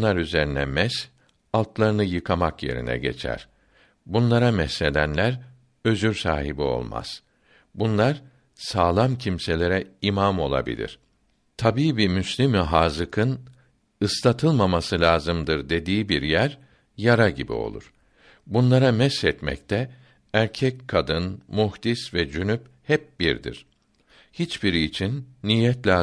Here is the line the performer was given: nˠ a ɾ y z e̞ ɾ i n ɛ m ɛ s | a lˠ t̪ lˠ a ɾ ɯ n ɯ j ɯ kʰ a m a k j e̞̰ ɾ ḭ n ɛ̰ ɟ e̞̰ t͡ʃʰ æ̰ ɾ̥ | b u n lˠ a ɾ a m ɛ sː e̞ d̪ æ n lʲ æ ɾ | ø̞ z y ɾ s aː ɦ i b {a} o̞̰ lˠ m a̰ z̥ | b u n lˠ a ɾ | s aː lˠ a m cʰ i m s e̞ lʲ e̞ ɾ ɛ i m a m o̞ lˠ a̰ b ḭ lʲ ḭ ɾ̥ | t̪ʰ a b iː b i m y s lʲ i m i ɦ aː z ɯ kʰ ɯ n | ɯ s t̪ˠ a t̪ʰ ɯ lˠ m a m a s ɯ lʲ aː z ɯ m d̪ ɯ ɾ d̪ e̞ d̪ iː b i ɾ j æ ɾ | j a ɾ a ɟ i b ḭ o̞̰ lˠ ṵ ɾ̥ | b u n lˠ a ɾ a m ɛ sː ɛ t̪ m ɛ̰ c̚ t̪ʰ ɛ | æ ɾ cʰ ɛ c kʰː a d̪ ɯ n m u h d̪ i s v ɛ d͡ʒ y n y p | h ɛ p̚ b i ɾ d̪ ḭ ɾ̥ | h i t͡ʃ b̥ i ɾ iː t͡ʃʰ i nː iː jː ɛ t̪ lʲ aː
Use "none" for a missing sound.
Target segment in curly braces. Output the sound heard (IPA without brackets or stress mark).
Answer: i